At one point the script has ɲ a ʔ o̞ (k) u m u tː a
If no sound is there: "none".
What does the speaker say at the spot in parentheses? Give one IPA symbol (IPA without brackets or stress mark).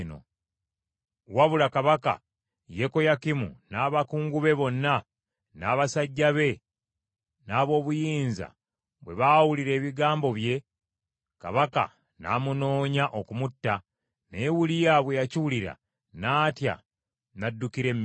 k